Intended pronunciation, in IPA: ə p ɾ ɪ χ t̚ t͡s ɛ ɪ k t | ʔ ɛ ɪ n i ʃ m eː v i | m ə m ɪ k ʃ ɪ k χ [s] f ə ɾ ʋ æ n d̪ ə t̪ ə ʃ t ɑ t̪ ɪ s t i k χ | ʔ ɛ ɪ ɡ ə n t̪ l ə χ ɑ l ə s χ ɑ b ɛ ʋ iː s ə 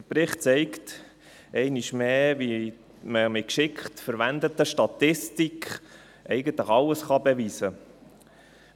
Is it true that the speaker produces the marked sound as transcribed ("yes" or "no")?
no